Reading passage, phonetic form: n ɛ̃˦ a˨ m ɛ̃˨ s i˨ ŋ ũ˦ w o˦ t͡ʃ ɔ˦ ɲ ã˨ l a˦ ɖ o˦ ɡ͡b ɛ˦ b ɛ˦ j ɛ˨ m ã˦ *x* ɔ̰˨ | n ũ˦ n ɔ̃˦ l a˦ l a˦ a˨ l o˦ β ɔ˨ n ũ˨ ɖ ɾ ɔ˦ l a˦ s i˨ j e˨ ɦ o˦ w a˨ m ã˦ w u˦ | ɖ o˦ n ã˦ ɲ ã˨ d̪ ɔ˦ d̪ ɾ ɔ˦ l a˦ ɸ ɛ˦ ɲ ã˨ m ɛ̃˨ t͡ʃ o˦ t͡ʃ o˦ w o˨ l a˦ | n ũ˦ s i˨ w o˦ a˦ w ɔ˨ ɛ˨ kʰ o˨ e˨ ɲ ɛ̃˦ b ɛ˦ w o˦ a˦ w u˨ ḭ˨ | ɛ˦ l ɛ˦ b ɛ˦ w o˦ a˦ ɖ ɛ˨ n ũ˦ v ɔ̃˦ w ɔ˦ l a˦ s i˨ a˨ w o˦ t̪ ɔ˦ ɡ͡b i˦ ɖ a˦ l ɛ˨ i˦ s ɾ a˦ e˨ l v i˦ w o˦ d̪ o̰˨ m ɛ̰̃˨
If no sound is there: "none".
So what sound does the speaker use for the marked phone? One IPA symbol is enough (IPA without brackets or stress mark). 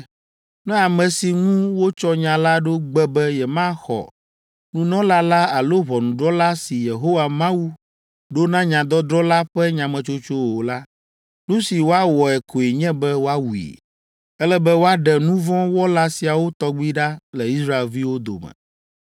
x